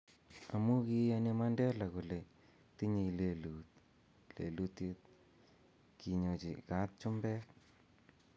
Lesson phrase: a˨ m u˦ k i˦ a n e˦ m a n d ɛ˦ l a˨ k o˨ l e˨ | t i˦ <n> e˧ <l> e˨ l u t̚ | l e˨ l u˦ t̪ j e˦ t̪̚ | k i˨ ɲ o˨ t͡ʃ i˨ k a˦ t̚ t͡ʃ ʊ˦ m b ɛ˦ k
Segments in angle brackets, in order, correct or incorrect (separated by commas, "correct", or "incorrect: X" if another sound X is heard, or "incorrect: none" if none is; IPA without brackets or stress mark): incorrect: ɲ, correct